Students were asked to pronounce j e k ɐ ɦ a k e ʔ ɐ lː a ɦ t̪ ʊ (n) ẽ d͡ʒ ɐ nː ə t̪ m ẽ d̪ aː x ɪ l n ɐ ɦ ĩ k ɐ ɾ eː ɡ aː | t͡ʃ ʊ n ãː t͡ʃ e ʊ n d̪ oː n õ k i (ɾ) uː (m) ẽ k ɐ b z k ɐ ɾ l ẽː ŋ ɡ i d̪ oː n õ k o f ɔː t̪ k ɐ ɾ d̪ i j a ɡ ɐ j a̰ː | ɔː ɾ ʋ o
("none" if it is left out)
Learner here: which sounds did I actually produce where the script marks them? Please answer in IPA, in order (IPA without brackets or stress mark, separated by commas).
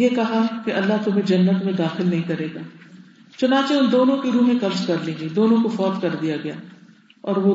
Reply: m, ɾ, m